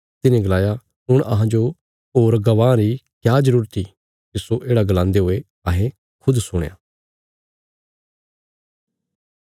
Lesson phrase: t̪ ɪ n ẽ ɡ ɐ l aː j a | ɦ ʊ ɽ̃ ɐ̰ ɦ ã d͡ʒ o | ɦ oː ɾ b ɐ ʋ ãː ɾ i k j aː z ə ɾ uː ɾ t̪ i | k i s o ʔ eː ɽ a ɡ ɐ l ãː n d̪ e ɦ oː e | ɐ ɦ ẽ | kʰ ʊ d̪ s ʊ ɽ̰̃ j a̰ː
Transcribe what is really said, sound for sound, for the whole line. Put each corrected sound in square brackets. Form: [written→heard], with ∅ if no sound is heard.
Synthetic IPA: t̪ ɪ n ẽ ɡ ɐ l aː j a | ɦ ʊ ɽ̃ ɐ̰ ɦ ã d͡ʒ o | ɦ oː ɾ [b→ɡ] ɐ ʋ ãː ɾ i k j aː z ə ɾ uː ɾ t̪ i | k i s o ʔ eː ɽ a ɡ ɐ l ãː n d̪ e ɦ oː e | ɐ ɦ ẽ | kʰ ʊ d̪ s ʊ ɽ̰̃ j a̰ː